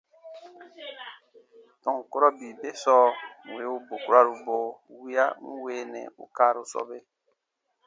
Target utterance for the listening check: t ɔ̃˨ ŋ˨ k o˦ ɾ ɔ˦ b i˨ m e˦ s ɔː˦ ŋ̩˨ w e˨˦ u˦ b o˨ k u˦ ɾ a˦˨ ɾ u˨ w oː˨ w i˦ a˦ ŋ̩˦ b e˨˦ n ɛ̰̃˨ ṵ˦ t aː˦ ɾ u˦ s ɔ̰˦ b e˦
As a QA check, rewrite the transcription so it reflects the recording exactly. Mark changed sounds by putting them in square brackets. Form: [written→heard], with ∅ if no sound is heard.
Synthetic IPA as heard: t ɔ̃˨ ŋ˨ k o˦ ɾ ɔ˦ b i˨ [m→b] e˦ s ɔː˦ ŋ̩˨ w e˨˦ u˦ b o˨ k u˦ ɾ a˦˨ ɾ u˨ [w→b] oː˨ w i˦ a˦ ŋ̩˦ [b→w] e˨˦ n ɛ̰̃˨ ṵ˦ [t→k] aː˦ ɾ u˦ s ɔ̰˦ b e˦